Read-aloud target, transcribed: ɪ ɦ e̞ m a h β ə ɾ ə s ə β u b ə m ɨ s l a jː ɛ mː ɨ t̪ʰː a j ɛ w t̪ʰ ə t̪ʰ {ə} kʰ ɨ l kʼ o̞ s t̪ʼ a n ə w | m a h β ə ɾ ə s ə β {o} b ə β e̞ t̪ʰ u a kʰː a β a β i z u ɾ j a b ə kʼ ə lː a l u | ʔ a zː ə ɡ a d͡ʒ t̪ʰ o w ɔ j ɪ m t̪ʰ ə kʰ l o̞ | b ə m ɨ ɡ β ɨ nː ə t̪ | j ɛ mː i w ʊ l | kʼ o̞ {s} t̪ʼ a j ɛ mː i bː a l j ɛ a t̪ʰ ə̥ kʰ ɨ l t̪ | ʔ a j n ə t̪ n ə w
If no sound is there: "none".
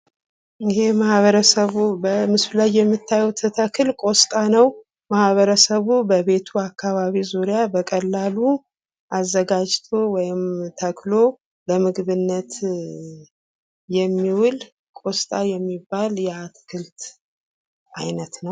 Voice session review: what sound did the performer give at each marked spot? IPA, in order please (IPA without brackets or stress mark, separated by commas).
ə, u, s